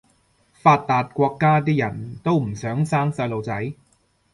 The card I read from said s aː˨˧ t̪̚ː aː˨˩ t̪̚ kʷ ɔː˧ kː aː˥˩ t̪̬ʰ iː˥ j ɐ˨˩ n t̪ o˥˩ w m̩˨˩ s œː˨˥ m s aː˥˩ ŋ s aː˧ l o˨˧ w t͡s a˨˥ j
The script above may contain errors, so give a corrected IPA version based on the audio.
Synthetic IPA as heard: f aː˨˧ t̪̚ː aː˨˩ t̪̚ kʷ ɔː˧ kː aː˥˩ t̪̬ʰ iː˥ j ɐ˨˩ n t̪ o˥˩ w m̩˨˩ s œː˨˥ ŋ s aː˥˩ ŋ s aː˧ l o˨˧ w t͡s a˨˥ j

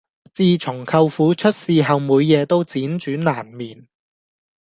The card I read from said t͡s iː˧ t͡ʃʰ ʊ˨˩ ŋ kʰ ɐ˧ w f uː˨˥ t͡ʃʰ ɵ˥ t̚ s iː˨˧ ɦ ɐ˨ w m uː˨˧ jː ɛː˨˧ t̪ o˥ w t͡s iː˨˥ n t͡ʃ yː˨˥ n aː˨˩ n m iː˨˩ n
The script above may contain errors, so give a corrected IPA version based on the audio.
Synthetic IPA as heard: t͡s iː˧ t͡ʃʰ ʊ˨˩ ŋ kʰ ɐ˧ w f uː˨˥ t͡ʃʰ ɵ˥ t̚ s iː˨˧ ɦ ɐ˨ w m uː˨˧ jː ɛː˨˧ t̪ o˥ w t͡s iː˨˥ n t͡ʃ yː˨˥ n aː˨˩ n m iː˨˩ n

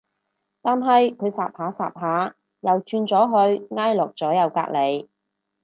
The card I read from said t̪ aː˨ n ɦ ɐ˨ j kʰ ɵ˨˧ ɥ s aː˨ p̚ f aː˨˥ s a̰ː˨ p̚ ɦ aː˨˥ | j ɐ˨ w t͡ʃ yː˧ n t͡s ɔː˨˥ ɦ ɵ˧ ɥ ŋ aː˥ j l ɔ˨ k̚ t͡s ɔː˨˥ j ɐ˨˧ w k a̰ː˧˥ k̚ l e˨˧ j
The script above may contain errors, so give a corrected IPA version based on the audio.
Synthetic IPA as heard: t̪ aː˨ n ɦ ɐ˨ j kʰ ɵ˨˧ ɥ s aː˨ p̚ h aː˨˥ s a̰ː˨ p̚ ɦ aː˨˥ | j ɐ˨ w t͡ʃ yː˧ n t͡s ɔː˨˥ ɦ ɵ˧ ɥ ŋ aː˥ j l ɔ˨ k̚ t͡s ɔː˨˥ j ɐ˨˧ w k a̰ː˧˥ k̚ l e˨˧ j

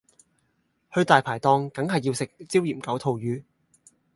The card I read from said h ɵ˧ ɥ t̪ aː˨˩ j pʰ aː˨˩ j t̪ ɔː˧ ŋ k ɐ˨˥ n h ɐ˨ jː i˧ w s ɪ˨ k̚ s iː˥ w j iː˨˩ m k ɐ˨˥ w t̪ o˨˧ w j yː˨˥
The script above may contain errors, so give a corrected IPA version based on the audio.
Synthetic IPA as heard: h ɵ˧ ɥ t̪ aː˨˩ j pʰ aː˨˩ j t̪ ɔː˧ ŋ k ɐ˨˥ ŋ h ɐ˨ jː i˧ w s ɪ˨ k̚ t͡s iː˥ w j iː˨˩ m k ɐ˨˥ w t̪ʰ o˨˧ w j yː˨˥

